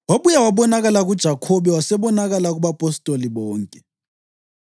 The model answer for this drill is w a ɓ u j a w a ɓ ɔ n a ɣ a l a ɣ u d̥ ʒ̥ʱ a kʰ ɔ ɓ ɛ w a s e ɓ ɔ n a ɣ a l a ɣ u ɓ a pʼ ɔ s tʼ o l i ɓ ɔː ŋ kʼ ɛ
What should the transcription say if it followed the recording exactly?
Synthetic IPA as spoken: w a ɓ u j a w a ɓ ɔ n a ɣ a l a ɣ u d̥ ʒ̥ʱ a kʰ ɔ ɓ ɛ w a s ɛ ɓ ɔ n a ɣ a l a ɣ u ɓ a pʼ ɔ s tʼ o l i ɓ ɔː ŋ kʼ ɛ